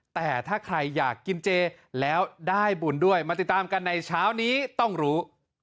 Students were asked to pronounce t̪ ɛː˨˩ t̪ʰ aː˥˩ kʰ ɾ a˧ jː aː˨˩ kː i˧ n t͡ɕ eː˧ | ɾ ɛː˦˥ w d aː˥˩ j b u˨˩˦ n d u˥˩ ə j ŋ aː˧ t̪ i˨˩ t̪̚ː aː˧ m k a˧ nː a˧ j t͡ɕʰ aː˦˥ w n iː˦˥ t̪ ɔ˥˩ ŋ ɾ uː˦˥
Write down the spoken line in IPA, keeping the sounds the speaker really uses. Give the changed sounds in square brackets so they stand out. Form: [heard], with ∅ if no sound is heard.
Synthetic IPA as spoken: t̪ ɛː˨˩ t̪ʰ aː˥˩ kʰ ɾ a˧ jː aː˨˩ kː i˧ n t͡ɕ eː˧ | [l] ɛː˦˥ w d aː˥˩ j b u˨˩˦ n d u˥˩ ə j [m] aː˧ t̪ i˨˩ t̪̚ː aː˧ m k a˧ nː a˧ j t͡ɕʰ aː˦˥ w n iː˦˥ t̪ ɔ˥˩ ŋ ɾ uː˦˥

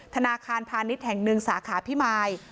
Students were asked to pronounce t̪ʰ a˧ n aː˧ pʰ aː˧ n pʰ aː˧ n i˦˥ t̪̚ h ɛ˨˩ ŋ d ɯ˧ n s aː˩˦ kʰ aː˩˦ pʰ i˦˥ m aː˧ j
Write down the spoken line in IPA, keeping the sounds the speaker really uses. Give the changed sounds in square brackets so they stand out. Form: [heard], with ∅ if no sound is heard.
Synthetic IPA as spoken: t̪ʰ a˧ n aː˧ [kʰ] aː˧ n pʰ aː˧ n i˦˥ t̪̚ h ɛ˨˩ ŋ [n] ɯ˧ [ŋ] s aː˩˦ kʰ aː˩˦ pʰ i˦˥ m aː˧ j

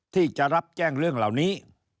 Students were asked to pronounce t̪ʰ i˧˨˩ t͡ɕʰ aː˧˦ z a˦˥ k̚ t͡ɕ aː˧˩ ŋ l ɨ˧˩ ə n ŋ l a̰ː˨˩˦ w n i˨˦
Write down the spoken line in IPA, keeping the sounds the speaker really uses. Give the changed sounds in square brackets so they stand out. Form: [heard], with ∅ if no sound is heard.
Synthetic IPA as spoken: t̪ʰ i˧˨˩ [t͡ɕ] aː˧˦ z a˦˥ [p̚] t͡ɕ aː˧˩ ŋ l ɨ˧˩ ə [∅] ŋ l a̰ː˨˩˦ w n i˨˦

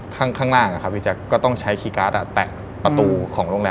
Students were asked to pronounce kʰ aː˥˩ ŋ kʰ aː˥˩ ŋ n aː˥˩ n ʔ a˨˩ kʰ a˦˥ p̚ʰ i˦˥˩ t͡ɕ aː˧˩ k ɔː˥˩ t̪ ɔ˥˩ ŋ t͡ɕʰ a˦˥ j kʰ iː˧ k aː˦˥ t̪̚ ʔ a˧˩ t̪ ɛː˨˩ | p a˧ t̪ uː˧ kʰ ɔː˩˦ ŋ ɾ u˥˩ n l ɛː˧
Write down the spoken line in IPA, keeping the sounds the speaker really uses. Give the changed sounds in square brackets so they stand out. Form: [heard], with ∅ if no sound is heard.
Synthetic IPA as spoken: kʰ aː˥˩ ŋ kʰ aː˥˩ ŋ n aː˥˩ [ŋ] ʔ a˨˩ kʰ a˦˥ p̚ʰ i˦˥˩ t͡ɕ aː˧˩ k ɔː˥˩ t̪ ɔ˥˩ ŋ t͡ɕʰ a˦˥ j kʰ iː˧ k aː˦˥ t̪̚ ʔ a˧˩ t̪ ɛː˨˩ | p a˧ t̪ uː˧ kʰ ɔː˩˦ ŋ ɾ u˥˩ [ŋ] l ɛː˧

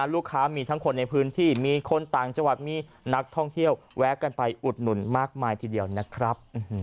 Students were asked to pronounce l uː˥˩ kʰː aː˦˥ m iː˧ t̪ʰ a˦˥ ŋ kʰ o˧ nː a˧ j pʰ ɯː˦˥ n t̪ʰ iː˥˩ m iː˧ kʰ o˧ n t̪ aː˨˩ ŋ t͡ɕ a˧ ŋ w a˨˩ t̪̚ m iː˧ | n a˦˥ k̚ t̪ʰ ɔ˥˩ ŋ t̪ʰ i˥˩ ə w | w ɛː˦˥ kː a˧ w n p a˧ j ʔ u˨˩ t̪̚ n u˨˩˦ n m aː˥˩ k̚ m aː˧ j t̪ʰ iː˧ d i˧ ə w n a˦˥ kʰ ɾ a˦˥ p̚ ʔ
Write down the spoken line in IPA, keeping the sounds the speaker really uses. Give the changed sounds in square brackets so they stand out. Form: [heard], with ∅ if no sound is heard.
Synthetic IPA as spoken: l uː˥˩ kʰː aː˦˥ m iː˧ t̪ʰ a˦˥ ŋ kʰ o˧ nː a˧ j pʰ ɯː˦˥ n t̪ʰ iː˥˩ m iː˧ kʰ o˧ n t̪ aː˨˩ ŋ t͡ɕ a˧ ŋ w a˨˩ t̪̚ m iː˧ | n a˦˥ k̚ t̪ʰ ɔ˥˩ ŋ t̪ʰ i˥˩ ə w | w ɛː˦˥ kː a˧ [∅] n p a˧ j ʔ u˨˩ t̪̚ n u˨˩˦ n m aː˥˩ k̚ m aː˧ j t̪ʰ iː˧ d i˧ ə w n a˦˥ kʰ ɾ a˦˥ p̚ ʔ

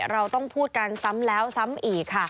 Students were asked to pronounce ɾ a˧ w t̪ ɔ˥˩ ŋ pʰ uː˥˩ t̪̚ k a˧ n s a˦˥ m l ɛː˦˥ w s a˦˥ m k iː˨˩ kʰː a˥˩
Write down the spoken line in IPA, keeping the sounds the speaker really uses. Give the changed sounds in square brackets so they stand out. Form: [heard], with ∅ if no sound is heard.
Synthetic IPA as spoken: ɾ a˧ w t̪ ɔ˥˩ ŋ pʰ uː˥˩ t̪̚ k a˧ n s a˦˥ m l ɛː˦˥ w s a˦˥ m [ʔ] iː˨˩ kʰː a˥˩

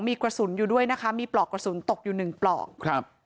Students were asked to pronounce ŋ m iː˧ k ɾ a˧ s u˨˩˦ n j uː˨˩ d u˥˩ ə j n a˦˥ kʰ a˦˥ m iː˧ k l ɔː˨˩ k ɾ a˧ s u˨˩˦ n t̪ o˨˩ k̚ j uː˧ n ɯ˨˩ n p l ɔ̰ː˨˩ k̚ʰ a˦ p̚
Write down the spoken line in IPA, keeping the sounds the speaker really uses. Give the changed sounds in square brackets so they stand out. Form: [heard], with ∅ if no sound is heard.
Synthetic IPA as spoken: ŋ m iː˧ k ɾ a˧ s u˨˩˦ n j uː˨˩ d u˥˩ ə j n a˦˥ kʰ a˦˥ m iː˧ [p] l ɔː˨˩ k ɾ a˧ s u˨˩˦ n t̪ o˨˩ k̚ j [uː˨˩] n ɯ˨˩ [ŋ] p l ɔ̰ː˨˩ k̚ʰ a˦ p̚

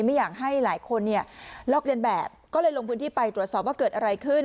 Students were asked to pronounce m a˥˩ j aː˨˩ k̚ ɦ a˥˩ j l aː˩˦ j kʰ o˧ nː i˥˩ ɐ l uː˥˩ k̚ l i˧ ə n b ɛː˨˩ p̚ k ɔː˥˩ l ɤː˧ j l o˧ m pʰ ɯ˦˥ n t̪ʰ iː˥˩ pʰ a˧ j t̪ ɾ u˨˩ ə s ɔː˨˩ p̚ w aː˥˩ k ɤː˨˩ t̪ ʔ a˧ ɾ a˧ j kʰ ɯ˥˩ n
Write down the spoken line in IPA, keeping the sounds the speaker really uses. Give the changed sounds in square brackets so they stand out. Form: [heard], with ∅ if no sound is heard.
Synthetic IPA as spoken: m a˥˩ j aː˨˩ k̚ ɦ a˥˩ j l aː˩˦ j kʰ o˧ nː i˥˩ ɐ l [ɔː˥˩] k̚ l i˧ ə n b ɛː˨˩ p̚ k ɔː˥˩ l ɤː˧ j l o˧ [ŋ] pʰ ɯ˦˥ n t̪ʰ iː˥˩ [p] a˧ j t̪ ɾ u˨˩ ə s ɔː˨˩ p̚ w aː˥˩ k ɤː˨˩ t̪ ʔ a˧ ɾ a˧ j kʰ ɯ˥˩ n

